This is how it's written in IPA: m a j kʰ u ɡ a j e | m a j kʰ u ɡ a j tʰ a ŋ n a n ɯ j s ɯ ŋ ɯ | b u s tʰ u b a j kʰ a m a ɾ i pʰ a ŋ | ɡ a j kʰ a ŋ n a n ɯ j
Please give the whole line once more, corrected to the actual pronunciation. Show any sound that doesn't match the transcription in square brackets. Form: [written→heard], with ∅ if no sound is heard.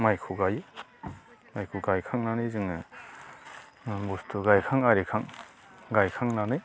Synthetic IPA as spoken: m a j kʰ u ɡ a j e | m a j kʰ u ɡ a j [tʰ→kʰ] a ŋ n a n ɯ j [s→z] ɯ ŋ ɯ | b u s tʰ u [b→ɡ] a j kʰ a [m→ŋ] a ɾ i [pʰ→kʰ] a ŋ | ɡ a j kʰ a ŋ n a n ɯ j

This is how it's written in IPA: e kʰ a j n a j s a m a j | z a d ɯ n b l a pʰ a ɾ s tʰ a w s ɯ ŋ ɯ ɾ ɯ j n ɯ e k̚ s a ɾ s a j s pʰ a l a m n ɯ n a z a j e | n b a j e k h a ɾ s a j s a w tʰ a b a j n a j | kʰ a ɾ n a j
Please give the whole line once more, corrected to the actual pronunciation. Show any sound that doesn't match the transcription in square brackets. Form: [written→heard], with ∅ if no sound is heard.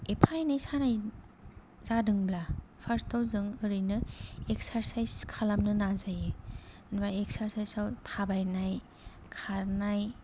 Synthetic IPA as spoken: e [kʰ→pʰ] a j n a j s a [m→n] a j | z a d ɯ [n→ŋ] b l a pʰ a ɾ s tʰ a w [s→z] ɯ ŋ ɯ ɾ ɯ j n ɯ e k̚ s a ɾ s a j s [pʰ→kʰ] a l a m n ɯ n a z a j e | n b a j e k [h→s] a ɾ s a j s a w tʰ a b a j n a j | kʰ a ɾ n a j

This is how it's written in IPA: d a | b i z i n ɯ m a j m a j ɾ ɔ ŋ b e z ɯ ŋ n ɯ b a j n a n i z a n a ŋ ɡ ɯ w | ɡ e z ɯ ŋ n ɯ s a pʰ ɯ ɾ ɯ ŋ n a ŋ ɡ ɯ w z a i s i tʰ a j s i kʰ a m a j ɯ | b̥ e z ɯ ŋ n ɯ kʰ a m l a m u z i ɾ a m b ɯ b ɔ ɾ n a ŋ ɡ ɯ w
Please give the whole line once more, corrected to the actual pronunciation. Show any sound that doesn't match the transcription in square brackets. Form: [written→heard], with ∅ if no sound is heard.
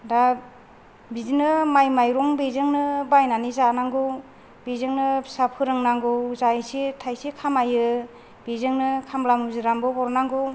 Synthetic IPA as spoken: d a | b i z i n ɯ m a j m a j ɾ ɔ ŋ b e z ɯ ŋ n ɯ b a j n a n i z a n a ŋ ɡ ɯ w | [ɡ→b] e z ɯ ŋ n ɯ s a pʰ ɯ ɾ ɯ ŋ n a ŋ ɡ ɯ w z a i s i tʰ a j s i kʰ a m a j ɯ | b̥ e z ɯ ŋ n ɯ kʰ a m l a m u z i ɾ a m b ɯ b ɔ ɾ n a ŋ ɡ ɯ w

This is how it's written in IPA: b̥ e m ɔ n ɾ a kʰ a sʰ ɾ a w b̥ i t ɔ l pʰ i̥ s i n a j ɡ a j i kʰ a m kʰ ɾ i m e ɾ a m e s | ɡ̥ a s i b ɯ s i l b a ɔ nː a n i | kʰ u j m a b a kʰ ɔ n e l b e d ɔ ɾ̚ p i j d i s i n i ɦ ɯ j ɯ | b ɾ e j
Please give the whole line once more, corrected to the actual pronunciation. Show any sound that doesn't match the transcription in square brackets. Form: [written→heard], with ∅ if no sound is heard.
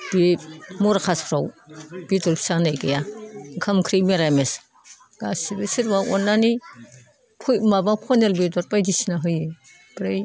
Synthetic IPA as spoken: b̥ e m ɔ [n→∅] ɾ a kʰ a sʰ ɾ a w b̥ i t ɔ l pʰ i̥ s [i→a] n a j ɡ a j [i→a] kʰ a m kʰ ɾ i m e ɾ a m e s | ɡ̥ a s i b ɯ s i [l→ɾ] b a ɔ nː a n i | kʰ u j m a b a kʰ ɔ n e l b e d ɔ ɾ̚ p [i→a] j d i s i n [i→a] ɦ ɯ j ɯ | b ɾ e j

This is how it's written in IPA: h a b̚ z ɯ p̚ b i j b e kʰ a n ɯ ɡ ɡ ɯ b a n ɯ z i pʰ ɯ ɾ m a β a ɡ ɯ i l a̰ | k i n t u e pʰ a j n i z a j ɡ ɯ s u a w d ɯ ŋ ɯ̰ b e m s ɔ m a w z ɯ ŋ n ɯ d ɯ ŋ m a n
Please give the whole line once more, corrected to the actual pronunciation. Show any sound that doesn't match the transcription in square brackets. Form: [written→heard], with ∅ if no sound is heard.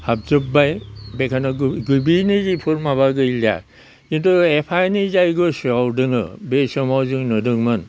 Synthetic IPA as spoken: h a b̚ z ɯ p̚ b [i→a] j b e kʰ a n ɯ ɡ ɡ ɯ b [a→i] n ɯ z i pʰ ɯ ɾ m a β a ɡ ɯ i l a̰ | k i n t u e pʰ a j n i z a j ɡ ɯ s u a w d ɯ ŋ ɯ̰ b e [m→∅] s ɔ m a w z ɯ ŋ n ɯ d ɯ ŋ m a n

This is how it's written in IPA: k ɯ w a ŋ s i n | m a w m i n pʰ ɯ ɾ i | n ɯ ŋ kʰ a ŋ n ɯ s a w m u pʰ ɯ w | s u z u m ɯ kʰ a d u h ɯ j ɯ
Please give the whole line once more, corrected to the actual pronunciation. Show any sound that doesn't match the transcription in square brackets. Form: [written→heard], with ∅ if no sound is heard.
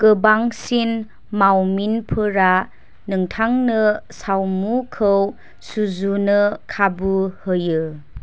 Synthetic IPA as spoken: k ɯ [w→b] a ŋ s i n | m a w m i n pʰ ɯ ɾ [i→a] | n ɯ ŋ [kʰ→tʰ] a ŋ n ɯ s a w m u [pʰ→kʰ] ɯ w | s u z u [m→n] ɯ kʰ a [d→b] u h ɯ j ɯ

